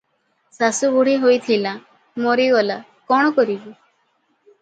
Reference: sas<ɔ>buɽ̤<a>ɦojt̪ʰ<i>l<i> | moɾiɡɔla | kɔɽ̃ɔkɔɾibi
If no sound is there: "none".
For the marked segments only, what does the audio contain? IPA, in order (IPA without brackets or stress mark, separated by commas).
u, i, i, a